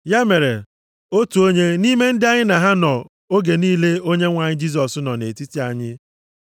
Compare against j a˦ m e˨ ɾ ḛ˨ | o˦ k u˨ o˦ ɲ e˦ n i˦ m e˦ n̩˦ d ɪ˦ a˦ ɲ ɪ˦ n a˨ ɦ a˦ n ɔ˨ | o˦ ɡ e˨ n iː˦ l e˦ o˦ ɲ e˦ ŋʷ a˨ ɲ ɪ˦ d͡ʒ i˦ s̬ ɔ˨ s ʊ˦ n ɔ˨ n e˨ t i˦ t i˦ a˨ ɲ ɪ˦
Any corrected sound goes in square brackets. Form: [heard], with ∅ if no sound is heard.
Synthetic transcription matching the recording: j a˦ m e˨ ɾ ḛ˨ | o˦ [t] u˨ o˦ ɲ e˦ n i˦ m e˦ n̩˦ d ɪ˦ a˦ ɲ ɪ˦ n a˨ ɦ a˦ n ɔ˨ | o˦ ɡ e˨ n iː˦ l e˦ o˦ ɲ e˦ ŋʷ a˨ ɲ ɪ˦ d͡ʒ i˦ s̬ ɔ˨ s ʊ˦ n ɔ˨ n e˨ t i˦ t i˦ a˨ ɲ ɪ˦